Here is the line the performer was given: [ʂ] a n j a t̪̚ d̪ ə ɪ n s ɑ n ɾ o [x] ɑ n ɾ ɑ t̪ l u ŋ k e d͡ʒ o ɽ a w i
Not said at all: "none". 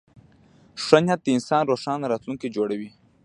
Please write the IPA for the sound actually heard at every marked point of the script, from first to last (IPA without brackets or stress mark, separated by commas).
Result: ʂ, ʂ